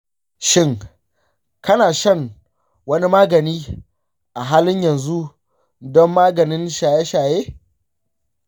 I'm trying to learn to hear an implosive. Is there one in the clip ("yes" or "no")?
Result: no